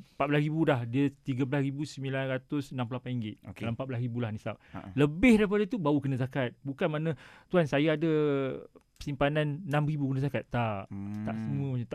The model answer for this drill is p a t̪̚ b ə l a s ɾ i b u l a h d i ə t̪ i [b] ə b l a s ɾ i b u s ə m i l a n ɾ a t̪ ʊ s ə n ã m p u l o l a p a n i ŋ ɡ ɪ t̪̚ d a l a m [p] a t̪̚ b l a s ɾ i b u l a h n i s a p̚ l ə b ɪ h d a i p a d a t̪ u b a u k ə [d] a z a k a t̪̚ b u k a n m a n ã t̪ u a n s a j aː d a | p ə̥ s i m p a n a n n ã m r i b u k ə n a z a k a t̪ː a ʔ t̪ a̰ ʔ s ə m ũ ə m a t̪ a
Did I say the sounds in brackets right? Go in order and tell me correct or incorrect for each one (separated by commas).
incorrect, correct, incorrect